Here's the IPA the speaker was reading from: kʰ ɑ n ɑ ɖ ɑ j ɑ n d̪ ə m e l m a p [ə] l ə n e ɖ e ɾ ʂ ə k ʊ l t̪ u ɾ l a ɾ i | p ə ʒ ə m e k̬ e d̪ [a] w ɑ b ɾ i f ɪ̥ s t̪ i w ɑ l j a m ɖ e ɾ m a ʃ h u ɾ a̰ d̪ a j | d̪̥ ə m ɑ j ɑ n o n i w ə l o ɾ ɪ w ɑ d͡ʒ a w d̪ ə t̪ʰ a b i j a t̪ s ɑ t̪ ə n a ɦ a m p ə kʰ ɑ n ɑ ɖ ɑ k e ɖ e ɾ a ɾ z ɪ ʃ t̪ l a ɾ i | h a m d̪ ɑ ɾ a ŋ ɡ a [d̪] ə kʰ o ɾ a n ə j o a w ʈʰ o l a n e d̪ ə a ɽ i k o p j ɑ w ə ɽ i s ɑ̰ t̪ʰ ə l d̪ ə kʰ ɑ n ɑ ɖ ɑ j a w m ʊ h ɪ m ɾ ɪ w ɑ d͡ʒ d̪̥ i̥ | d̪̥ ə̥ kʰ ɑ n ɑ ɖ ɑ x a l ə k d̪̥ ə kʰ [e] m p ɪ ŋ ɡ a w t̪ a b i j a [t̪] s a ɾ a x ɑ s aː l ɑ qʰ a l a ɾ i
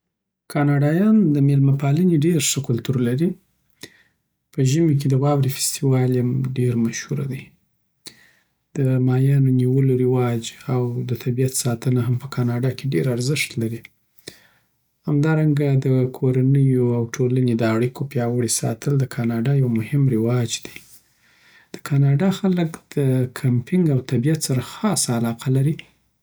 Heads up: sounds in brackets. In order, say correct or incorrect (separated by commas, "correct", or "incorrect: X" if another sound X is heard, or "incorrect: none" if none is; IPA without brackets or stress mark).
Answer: incorrect: ɑ, incorrect: ə, correct, incorrect: a, correct